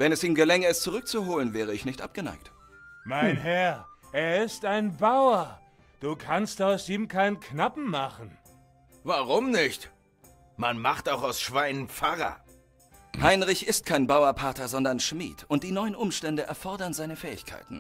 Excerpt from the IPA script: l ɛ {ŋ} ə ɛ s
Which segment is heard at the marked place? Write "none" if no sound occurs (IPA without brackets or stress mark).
ŋ